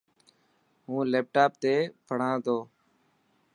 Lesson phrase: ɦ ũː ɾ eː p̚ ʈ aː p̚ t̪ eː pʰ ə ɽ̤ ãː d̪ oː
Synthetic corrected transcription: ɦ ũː l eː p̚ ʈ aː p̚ t̪ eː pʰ ə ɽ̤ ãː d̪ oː

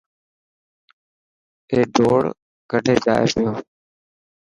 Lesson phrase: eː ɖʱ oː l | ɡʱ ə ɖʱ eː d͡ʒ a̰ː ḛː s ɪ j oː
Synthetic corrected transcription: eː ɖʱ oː ɽ | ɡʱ ə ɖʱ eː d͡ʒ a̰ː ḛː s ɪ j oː

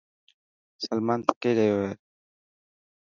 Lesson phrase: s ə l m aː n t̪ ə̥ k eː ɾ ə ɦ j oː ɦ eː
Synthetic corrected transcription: s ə l m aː n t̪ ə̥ k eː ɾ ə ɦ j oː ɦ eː

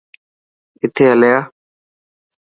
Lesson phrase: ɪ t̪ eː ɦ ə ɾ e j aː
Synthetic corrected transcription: ɪ t̪ʰ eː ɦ ə l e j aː

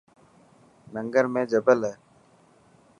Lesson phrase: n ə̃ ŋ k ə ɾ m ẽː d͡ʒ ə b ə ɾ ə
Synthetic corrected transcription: n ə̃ ŋ ɡ ə ɾ m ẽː d͡ʒ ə b ə l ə

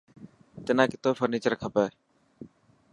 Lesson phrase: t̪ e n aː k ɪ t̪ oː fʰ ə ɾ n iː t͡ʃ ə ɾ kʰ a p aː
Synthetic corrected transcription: t̪ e n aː k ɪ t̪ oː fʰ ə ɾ n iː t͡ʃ ə ɾ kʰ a p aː

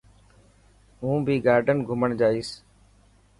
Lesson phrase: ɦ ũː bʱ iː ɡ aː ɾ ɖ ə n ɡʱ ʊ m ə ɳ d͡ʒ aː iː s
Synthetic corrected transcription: ɦ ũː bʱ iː ɡ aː ɾ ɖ ə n ɡʱ ʊ m ə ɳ d͡ʒ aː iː s

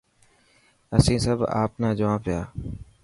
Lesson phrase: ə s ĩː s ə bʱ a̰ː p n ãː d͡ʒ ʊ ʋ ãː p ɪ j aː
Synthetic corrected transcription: ə s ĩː s ə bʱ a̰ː p n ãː d͡ʒ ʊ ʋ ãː p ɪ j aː

